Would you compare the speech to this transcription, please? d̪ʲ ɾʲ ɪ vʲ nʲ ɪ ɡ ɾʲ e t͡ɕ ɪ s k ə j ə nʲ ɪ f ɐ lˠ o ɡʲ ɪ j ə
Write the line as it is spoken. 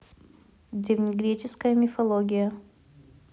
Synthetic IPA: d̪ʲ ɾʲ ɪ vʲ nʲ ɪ ɡ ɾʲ e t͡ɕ ɪ s k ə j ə mʲ ɪ f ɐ lˠ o ɡʲ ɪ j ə